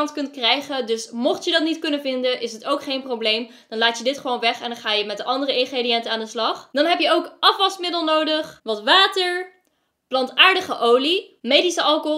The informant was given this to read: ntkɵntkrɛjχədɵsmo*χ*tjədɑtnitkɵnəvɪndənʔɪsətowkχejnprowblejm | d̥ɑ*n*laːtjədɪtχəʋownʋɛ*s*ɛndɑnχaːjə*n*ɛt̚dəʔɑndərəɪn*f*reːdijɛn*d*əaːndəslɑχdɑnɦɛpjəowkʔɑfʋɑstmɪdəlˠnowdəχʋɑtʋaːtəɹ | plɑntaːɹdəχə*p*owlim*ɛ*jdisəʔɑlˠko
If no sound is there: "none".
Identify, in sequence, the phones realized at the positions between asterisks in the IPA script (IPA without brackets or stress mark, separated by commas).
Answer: χ, n, χ, m, χ, t, ʔ, e